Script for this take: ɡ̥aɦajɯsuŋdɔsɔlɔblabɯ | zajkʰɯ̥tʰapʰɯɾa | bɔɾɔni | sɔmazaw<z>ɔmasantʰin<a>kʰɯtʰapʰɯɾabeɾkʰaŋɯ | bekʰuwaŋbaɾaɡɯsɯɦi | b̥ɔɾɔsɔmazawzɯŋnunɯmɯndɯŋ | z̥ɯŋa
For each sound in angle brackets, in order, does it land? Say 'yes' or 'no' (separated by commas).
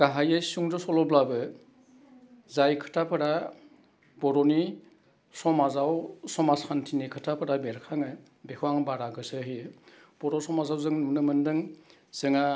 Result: no, no